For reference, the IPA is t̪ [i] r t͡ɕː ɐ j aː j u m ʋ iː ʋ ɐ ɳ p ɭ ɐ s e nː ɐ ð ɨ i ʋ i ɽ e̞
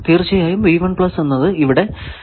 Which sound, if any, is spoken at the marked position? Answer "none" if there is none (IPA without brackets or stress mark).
iː